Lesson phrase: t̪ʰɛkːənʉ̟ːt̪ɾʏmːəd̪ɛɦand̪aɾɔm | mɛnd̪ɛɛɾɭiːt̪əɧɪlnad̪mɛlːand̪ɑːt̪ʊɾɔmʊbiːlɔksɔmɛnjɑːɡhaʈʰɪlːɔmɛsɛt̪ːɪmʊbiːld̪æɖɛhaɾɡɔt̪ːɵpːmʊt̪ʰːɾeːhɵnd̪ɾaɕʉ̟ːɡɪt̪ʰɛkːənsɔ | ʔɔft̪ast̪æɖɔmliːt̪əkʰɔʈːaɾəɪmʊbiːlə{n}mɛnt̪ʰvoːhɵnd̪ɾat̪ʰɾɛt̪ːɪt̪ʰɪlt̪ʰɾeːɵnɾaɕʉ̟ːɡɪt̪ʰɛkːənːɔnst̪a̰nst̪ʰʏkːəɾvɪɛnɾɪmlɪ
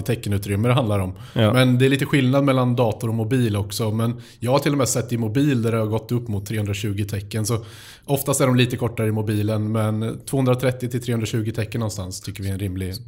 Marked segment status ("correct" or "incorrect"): correct